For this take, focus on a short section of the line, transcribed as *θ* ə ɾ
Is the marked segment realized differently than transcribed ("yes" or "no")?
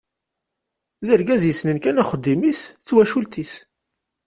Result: yes